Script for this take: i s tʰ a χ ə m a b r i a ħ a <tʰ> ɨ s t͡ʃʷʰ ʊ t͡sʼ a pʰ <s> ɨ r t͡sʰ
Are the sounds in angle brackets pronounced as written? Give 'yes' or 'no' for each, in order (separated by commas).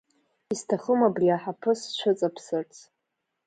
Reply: no, yes